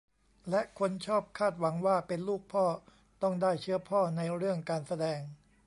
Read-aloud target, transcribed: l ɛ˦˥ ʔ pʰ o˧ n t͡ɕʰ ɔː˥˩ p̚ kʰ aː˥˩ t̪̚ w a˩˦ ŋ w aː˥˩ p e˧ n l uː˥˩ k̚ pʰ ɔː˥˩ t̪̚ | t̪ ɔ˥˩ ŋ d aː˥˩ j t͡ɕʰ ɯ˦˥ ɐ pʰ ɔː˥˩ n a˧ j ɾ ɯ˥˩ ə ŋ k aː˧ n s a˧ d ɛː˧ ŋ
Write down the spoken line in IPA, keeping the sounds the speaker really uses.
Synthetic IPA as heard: l ɛ˦˥ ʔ kʰ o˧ n t͡ɕʰ ɔː˥˩ p̚ kʰ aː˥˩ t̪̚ w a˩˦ ŋ w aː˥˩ p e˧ n l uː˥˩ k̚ pʰ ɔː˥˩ | t̪ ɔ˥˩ ŋ d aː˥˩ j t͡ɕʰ ɯ˦˥ ɐ pʰ ɔː˥˩ n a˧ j ɾ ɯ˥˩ ə ŋ k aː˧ n s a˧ d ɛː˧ ŋ

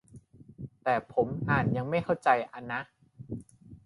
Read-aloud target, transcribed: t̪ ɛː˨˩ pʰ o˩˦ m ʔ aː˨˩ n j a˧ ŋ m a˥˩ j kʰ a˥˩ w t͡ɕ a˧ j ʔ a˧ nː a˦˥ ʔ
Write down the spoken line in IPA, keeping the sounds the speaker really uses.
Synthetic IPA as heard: t̪ ɛː˨˩ pʰ o˩˦ m ʔ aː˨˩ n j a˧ ŋ m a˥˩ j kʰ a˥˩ w t͡ɕ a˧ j ʔ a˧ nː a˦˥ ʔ

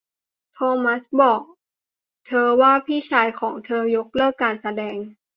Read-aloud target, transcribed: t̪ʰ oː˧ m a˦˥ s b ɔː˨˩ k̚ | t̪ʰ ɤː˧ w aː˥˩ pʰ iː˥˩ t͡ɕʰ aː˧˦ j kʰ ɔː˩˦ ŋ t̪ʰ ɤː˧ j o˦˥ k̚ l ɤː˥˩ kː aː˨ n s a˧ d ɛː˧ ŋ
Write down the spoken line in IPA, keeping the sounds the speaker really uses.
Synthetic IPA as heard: t̪ʰ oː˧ m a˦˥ s b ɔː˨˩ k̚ | t̪ʰ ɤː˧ w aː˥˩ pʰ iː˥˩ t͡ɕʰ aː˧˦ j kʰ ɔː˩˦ ŋ t̪ʰ ɤː˧ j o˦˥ k̚ l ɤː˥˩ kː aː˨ n s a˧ d ɛː˧ ŋ

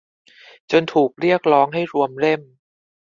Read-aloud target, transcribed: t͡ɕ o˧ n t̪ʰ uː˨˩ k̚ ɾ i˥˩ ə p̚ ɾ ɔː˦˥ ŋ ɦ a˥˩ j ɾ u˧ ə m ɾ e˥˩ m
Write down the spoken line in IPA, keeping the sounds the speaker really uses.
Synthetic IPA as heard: t͡ɕ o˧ n t̪ʰ uː˨˩ k̚ ɾ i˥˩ ə k̚ ɾ ɔː˦˥ ŋ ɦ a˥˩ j ɾ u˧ ə m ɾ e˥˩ m

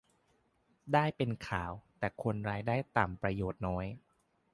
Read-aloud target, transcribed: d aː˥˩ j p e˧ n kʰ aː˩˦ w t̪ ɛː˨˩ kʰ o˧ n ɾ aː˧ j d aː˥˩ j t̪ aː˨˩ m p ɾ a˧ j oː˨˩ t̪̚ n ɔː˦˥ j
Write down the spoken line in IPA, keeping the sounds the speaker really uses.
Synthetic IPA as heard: d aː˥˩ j p e˧ n kʰ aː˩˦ w t̪ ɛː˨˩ kʰ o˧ n ɾ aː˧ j d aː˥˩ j t̪ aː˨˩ m p ɾ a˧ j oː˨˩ t̪̚ n ɔː˦˥ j

